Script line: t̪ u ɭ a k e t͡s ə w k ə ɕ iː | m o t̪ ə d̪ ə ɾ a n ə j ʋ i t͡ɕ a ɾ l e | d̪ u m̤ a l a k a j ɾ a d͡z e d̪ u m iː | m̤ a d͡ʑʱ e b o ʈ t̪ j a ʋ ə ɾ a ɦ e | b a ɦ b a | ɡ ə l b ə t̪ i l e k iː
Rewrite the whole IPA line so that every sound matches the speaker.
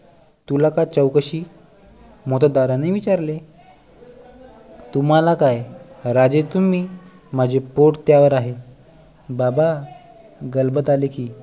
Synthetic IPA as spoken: t̪ u l a k a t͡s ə w k ə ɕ iː | m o t̪ ə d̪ a ɾ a n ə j ʋ i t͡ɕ a ɾ l e | t̪ u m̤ a l a k a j ɾ a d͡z e t̪ u m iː | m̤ a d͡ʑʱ e p o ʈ t̪ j a ʋ ə ɾ a ɦ e | b a b a | ɡ ə l b ə t̪ a l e k iː